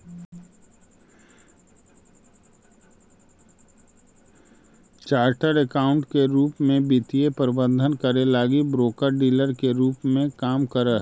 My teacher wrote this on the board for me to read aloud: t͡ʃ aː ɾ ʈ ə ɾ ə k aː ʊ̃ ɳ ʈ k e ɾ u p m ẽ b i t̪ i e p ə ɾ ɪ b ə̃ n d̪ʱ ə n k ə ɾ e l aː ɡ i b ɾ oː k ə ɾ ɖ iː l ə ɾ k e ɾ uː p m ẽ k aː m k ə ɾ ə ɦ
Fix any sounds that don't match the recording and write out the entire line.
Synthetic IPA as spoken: t͡ʃ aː ɾ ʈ ə ɾ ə k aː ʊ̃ ɳ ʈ k e ɾ uː p m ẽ b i t̪ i e p ə ɾ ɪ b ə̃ n d̪ʱ ə n k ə ɾ e l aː ɡ i b ɾ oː k ə ɾ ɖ iː l ə ɾ k e ɾ uː p m ẽ k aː m k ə ɾ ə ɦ